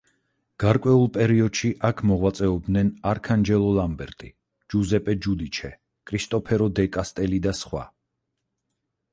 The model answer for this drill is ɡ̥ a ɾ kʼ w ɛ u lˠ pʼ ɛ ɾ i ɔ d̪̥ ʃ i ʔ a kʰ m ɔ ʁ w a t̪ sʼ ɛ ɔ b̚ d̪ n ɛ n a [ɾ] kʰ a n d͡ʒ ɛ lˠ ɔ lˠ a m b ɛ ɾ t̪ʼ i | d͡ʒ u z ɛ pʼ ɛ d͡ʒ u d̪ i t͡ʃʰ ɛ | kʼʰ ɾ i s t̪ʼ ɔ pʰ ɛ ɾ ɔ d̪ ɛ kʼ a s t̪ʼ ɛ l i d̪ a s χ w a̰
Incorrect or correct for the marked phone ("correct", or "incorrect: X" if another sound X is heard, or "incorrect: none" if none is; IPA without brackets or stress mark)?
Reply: correct